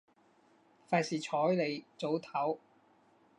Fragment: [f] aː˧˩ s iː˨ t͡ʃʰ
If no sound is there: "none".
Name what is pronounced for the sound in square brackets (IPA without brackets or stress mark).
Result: f